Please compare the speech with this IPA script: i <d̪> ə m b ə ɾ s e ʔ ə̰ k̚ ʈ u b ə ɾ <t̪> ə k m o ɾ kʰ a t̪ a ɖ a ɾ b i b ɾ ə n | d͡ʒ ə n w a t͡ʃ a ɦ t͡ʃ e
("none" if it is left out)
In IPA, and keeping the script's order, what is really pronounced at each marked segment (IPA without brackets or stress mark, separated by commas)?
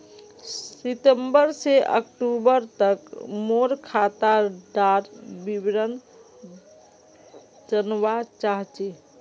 t̪, t̪